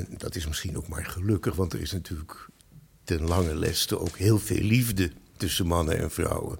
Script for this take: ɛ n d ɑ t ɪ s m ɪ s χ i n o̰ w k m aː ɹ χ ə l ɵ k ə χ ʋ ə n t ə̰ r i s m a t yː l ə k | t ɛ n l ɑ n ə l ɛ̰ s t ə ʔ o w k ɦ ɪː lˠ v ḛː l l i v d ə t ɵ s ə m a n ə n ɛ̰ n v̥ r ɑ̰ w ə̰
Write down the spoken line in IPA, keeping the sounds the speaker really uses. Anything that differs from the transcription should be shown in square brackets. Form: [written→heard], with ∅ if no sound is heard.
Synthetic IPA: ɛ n d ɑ t ɪ s m ɪ s χ i n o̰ w k m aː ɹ χ ə l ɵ k ə χ ʋ [ə→ɑ] n t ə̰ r [i→ɪ] s [m→n] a t yː l ə k | t ɛ n l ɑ [n→ŋ] ə l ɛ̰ s t ə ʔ o w k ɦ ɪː lˠ v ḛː l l i v d ə t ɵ s ə m [a→ɑ] n ə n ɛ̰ n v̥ r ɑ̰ w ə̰